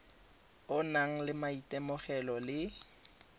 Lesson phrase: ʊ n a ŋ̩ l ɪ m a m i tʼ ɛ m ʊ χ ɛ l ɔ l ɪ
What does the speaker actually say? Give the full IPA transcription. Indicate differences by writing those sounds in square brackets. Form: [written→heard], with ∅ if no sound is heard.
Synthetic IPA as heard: ʊ n a ŋ̩ l ɪ m a [m→∅] i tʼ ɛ m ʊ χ ɛ l ɔ l ɪ